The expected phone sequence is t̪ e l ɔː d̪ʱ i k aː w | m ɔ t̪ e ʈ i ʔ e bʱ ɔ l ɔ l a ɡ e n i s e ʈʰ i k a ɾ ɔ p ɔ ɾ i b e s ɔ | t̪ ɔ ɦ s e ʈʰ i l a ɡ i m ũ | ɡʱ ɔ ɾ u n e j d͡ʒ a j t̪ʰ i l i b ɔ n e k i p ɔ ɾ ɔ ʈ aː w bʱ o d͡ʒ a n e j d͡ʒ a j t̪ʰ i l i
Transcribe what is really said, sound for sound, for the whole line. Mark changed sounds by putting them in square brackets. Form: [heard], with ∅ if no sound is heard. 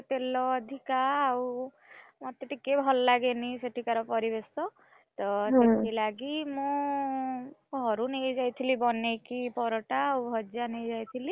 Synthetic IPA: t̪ e l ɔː d̪ʱ i k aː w | m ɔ t̪ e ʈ i [k] e bʱ ɔ l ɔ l a ɡ e n i s e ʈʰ i k a ɾ ɔ p ɔ ɾ i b e s ɔ | t̪ ɔ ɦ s e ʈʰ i l a ɡ i m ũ | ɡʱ ɔ ɾ u n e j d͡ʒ a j t̪ʰ i l i b ɔ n e k i p ɔ ɾ ɔ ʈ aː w bʱ [ɔ] d͡ʒ a n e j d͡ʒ a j t̪ʰ i l i